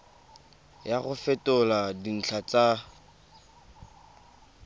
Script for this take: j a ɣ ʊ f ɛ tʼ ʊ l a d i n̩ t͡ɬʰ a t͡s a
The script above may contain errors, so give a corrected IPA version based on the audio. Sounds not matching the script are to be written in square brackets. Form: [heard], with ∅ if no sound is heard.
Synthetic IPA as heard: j a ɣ ʊ f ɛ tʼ ʊ l a d i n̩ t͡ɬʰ a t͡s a